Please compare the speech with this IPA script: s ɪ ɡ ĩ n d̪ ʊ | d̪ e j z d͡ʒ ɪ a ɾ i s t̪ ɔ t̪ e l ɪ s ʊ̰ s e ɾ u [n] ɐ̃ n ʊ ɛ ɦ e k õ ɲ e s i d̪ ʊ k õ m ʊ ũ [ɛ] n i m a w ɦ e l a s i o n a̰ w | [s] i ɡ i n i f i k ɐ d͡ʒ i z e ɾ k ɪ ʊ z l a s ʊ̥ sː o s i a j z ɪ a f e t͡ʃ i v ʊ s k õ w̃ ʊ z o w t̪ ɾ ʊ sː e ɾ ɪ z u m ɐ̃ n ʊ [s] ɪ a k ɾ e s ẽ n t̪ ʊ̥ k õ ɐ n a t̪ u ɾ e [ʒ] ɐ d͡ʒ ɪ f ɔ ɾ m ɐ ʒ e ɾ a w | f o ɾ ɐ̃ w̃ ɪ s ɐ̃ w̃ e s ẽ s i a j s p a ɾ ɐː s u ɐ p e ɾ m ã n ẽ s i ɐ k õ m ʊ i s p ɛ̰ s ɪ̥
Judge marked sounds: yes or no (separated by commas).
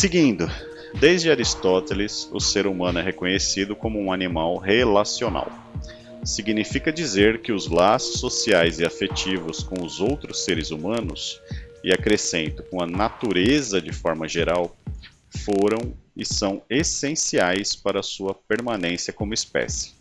no, no, yes, yes, no